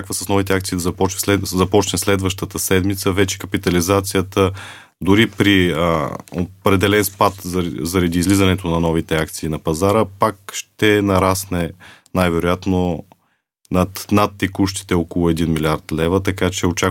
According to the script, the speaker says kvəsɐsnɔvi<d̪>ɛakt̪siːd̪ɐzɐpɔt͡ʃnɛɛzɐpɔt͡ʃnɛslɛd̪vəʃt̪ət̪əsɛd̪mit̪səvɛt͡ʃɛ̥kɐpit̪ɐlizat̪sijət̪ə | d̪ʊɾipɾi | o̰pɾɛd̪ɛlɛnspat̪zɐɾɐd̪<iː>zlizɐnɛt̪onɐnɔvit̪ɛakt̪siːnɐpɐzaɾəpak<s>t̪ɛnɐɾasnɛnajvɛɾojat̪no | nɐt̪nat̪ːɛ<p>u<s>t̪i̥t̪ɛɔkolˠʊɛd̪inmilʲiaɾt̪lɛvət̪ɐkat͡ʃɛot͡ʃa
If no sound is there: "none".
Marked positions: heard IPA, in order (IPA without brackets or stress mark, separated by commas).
t̪, iː, ʃ, k, ʃ